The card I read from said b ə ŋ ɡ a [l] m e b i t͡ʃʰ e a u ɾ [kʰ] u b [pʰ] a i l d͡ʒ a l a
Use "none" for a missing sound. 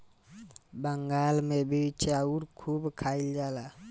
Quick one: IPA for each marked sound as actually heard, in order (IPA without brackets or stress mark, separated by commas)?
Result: l, kʰ, kʰ